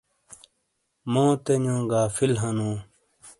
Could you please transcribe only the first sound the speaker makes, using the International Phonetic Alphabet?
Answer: m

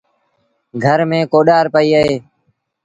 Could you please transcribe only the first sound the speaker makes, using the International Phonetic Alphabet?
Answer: ɡʱ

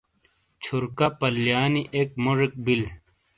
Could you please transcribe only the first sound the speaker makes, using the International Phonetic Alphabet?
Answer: t͡ɕʰ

